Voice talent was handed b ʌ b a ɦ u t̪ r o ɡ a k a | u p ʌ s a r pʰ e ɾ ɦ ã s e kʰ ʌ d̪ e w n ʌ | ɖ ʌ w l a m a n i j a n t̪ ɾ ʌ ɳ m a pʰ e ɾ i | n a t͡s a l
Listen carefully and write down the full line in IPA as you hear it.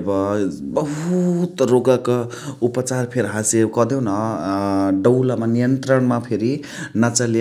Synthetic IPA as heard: b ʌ b ʌ ɦ u t̪ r o ɡ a k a | u p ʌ t͡s a r pʰ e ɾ ɦ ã s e k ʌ d̪ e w n ʌ | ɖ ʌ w l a m a n i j ʌ n t̪ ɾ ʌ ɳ m a pʰ e ɾ i | n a t͡s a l